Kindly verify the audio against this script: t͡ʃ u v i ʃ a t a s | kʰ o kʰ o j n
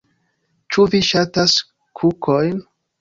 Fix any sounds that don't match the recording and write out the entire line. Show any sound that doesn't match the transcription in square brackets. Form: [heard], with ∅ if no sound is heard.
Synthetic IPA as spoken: t͡ʃ u v i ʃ a t a s | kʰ [u] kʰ o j n